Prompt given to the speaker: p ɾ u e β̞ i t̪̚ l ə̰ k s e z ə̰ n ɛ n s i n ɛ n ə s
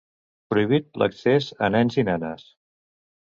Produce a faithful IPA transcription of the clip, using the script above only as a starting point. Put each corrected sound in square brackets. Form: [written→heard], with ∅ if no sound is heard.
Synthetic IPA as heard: p ɾ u [e→i] β̞ i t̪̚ l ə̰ k s e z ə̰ n ɛ n [s→z] i n ɛ n ə s